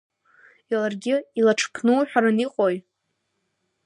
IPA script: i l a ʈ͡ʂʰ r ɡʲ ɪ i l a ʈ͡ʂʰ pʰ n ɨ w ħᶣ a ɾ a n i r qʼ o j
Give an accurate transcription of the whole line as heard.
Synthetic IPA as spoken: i l a r ɡʲ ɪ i l a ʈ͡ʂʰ pʰ n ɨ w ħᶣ a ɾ a n i qʼ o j